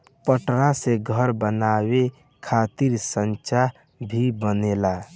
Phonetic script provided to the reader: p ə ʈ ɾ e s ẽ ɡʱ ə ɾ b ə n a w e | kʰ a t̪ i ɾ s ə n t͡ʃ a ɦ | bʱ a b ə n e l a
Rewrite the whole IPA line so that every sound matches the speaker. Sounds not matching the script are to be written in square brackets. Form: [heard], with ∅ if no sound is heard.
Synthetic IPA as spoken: p ə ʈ ɾ [a] s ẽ ɡʱ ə ɾ b ə n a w e | kʰ a t̪ i ɾ s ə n t͡ʃ a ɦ | bʱ [i] b ə n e l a